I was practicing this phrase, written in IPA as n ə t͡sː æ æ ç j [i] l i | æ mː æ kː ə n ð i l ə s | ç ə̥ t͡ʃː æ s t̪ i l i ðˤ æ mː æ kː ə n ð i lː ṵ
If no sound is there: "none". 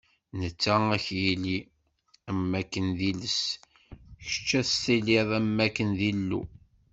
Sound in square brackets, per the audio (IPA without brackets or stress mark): i